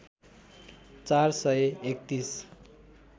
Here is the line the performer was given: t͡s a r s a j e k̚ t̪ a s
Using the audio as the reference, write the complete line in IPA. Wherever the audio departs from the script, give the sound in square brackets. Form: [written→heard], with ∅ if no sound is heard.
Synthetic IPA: t͡s a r s [a→ʌ] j e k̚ t̪ [a→i] s